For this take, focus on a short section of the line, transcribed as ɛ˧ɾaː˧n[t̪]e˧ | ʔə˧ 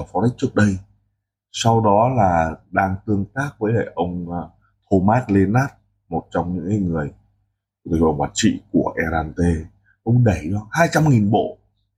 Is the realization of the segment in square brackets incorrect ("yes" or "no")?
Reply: no